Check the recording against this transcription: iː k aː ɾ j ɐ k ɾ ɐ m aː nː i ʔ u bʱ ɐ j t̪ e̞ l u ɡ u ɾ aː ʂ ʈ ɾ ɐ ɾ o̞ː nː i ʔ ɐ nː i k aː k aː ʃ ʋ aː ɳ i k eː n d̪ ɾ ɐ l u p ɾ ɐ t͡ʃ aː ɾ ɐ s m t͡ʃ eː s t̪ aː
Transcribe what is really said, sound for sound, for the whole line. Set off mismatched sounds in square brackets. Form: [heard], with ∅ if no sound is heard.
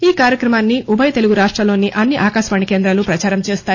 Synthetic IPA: iː k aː ɾ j ɐ k ɾ ɐ m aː nː i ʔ u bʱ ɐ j t̪ e̞ l u ɡ u ɾ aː ʂ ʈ ɾ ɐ [l] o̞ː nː i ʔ ɐ nː i [ʔ] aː k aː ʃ ʋ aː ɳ i k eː n d̪ ɾ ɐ l u p ɾ ɐ t͡ʃ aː ɾ ɐ [∅] m t͡ʃ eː s t̪ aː